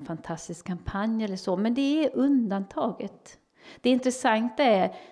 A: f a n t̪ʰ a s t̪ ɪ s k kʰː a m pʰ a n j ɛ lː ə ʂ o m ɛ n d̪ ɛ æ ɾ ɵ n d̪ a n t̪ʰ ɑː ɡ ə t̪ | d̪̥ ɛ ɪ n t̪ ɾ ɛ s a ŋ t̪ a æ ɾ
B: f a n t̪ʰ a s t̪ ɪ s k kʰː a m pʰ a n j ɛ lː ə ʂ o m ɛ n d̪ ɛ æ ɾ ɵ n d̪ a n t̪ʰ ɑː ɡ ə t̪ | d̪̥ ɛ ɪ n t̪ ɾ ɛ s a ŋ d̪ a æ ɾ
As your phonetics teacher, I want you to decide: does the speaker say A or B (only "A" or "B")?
A